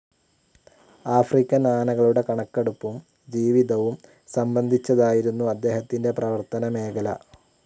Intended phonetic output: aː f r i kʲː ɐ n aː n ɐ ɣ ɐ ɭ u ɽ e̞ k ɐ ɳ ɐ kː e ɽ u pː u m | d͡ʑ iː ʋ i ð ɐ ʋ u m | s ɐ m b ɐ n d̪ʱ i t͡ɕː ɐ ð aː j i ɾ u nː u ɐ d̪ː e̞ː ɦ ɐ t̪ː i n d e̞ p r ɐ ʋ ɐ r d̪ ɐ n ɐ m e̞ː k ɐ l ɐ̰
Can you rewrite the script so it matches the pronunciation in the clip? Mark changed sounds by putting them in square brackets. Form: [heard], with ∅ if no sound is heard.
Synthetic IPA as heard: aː f r i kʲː ɐ n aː n ɐ ɣ ɐ ɭ u ɽ e̞ k ɐ ɳ ɐ kː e ɽ u pː u m | d͡ʑ iː ʋ i ð ɐ ʋ u m | s ɐ m b ɐ n d̪ʱ i t͡ɕː ɐ ð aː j i ɾ u nː u ɐ d̪ː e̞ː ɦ ɐ t̪ː i n d e̞ p r ɐ ʋ ɐ r [t̪] ɐ n ɐ m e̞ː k ɐ l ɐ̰